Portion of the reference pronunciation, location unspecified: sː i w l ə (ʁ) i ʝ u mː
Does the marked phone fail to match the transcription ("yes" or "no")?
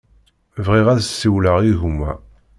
no